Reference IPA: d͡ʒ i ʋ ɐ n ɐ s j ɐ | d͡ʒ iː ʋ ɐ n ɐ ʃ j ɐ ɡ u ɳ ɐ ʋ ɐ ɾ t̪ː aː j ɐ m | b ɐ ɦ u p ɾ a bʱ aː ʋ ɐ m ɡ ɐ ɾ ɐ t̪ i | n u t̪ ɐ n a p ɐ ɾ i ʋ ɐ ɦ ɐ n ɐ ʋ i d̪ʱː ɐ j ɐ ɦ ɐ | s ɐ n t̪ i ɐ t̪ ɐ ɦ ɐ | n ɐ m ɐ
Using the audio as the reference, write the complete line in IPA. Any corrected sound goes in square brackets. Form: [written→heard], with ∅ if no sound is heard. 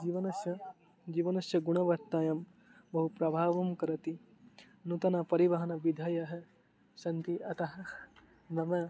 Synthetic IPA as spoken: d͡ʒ i ʋ ɐ n ɐ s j ɐ | d͡ʒ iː ʋ ɐ n ɐ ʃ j ɐ ɡ u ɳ ɐ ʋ ɐ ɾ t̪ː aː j ɐ m | b ɐ ɦ u p ɾ [a→ɐ] bʱ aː ʋ ɐ m [ɡ→k] ɐ ɾ ɐ t̪ i | n u t̪ ɐ n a p ɐ ɾ i ʋ ɐ ɦ ɐ n ɐ ʋ i [d̪ʱː→d̪ʱ] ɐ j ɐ ɦ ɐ | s ɐ n t̪ i ɐ t̪ ɐ ɦ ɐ | n ɐ m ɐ